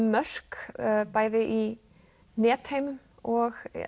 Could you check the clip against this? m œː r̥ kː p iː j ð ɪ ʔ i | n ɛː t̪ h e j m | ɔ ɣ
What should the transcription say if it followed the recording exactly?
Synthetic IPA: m œ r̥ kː p aː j ð ɪ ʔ i | n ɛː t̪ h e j m | ɔ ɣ

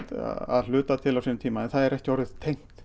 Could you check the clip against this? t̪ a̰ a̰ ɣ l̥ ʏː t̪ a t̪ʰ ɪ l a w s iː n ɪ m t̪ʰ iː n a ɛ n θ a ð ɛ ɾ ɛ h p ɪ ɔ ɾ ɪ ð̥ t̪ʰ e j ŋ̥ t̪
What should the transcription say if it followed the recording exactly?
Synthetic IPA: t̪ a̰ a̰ ð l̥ ʏː t̪ a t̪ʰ ɪ l a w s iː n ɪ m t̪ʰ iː m a ɛ n θ a ð ɛ ɾ ɛ h c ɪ ɔ ɾ ɪ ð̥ t̪ʰ e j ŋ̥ t̪

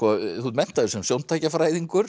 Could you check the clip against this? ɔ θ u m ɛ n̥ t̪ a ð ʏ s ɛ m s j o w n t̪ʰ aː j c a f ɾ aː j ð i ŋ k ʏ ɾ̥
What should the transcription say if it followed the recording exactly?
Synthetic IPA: ɔ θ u m ɛ n̥ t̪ a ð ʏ s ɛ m s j o w n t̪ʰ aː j c a f ɾ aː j ð i ŋ k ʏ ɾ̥

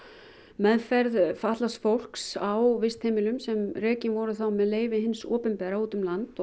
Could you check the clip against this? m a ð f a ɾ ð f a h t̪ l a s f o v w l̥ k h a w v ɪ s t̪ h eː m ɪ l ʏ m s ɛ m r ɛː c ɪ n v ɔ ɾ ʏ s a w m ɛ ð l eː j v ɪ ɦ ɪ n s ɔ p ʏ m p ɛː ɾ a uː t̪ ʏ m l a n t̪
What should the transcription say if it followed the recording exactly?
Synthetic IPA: m ɛ ð f ɛ ɾ ð f a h t̪ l a s f o w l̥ k s a w v ɪ s t̪ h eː m ɪ l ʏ m s ɛ m r ɛː c ɪ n v ɔ ɾ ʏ θ a w m ɛ ð l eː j v ɪ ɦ ɪ n s ɔː p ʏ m p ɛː ɾ a uː t̪ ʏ m l a n t̪

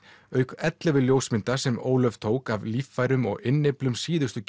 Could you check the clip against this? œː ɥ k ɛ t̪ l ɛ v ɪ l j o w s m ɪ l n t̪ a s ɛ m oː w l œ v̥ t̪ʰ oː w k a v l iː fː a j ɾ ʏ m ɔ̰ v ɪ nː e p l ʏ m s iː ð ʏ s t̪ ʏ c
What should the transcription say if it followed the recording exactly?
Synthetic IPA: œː ɥ k ɛ t̪ l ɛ v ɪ l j o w s m ɪ n t̪ a s ɛ m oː w l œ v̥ t̪ʰ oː w k a v l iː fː a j ɾ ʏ m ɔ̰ ɣ ɪ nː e p l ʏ m s iː ð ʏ s t̪ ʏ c

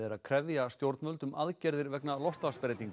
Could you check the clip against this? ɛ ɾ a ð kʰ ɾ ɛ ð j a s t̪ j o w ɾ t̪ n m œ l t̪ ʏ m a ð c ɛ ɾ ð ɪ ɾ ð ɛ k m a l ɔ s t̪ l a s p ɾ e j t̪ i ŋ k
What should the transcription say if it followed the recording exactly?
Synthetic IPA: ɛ ɾ a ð kʰ ɾ ɛ v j a s t̪ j o w ɾ t̪ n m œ l t̪ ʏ m a ð c ɛ ɾ ð ɪ ɾ v ɛ k n a l ɔ s t̪ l a s p ɾ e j t̪ i ŋ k

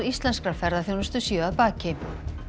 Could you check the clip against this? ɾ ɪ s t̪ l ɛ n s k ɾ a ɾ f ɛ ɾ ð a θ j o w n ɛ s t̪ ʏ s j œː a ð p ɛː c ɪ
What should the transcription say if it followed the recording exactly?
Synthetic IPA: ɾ i s t̪ l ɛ n s k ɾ a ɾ f ɛ ɾ ð a θ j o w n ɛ s t̪ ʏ s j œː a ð p aː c ɪ

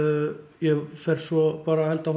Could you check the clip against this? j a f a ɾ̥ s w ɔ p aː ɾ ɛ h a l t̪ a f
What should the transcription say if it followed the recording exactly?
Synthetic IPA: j ɛ f ɛ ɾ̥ s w ɔ p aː ɾ a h ɛ l t̪ a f

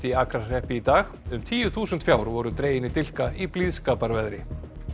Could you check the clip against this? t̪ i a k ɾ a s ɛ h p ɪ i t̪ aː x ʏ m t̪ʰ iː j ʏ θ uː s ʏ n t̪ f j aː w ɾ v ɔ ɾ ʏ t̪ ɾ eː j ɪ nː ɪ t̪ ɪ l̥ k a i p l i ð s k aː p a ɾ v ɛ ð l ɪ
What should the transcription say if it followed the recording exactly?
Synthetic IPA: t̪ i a k ɾ a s ɛ h p ɪ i t̪ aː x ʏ m t̪ʰ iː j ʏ θ uː s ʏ n t̪ f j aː w ɾ v ɔ ɾ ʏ t̪ ɾ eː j ɪ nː ɪ t̪ ɪ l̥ k a i p l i ð s k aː p a ɾ v ɛ ð ɾ ɪ

